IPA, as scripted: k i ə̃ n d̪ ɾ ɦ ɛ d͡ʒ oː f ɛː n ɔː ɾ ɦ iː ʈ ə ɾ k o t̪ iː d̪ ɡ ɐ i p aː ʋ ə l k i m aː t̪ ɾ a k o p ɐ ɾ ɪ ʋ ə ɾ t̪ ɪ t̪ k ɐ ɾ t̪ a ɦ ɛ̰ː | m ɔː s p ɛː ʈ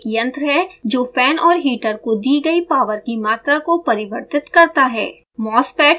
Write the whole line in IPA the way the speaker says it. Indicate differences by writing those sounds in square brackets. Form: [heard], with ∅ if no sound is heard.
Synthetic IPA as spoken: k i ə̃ n [t̪] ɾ ɦ ɛ d͡ʒ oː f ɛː n ɔː ɾ ɦ iː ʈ ə ɾ k o [d̪] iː [∅] ɡ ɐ i p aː ʋ ə [ɾ] k i m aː t̪ ɾ a k o p ɐ ɾ ɪ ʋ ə ɾ t̪ ɪ t̪ k ɐ ɾ t̪ a ɦ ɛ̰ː | m ɔː s p ɛː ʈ